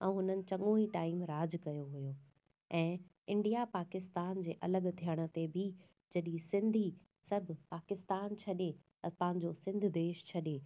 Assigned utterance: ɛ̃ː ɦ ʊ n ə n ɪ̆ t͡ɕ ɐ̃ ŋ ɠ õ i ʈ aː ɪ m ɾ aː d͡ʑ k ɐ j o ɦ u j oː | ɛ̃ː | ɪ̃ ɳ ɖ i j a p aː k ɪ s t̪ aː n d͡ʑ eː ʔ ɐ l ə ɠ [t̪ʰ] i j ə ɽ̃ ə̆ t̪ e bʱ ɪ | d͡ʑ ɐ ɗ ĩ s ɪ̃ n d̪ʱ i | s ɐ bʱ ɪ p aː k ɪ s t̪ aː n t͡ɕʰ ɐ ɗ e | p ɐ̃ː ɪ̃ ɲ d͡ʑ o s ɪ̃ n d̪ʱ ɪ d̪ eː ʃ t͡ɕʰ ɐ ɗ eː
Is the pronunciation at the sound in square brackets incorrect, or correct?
correct